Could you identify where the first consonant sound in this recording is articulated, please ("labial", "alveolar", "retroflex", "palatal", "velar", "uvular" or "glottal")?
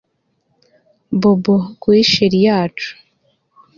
labial